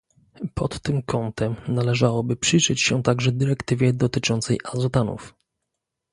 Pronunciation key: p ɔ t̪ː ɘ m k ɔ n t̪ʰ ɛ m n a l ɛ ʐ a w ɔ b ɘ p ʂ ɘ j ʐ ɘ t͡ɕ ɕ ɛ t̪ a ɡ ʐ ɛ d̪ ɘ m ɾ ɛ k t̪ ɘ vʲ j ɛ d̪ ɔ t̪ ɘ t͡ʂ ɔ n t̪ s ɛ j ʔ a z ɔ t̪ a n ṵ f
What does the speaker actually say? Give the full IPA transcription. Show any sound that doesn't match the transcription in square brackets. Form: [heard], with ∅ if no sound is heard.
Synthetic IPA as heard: p ɔ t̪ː ɘ m k ɔ n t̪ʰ ɛ m n a l ɛ ʐ a w ɔ b ɘ p ʂ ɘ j ʐ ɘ t͡ɕ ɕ ɛ t̪ a ɡ ʐ ɛ d̪ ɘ [∅] ɾ ɛ k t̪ ɘ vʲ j ɛ d̪ ɔ t̪ ɘ t͡ʂ ɔ n t̪ s ɛ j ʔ a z ɔ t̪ a n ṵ f